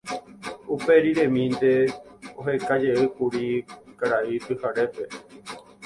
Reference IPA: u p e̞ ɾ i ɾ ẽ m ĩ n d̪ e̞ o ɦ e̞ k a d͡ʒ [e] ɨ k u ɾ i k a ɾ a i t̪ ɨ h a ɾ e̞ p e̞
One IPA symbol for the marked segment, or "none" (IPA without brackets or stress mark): e